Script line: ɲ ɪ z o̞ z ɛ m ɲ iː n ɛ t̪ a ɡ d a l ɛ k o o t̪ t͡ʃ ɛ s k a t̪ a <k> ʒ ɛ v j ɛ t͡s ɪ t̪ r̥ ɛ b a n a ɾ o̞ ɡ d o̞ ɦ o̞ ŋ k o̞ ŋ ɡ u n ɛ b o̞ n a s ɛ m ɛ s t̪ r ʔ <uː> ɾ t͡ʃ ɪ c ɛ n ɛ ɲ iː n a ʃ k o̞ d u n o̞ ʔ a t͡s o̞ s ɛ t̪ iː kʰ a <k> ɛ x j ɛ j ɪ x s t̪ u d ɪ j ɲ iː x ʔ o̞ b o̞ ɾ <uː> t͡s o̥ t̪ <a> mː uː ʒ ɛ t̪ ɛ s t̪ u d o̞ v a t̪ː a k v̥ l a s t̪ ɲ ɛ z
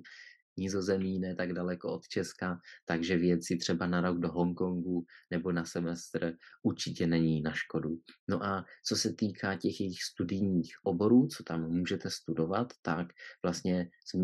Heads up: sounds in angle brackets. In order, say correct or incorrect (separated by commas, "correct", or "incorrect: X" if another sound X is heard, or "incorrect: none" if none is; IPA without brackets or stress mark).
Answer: incorrect: ɡ, incorrect: u, incorrect: c, correct, correct